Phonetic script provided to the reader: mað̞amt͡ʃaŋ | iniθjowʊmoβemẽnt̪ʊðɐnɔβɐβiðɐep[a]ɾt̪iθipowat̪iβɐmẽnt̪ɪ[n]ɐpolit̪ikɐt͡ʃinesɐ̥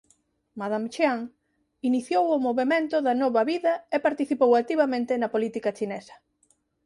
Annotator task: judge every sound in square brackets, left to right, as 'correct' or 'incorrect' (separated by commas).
correct, correct